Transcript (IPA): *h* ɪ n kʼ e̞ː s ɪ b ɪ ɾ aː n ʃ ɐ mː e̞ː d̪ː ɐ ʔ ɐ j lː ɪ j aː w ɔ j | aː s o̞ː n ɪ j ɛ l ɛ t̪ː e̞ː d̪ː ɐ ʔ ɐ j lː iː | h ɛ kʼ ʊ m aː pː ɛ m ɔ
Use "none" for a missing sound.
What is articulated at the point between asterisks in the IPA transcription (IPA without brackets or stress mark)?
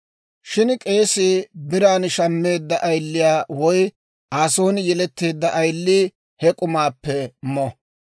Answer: ʃ